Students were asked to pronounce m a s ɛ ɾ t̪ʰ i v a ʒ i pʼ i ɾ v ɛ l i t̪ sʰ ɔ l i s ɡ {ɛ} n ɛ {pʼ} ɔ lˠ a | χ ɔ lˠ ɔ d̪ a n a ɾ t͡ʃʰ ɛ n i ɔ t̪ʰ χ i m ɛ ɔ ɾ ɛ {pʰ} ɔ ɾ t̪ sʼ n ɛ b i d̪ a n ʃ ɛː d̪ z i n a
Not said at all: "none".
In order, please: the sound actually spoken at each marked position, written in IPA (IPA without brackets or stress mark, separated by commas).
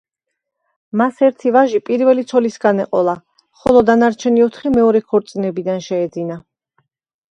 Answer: a, qʼ, kʰ